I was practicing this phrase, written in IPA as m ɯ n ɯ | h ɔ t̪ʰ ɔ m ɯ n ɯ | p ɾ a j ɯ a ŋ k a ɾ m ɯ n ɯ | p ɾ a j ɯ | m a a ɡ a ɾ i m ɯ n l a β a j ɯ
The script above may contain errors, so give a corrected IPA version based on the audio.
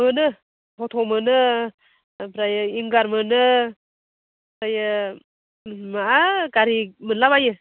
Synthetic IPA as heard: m ɯ n ɯ | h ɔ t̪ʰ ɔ m ɯ n ɯ | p ɾ a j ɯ i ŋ ɡ a ɾ m ɯ n ɯ | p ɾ a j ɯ | m a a ɡ a ɾ i m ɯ n l a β a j ɯ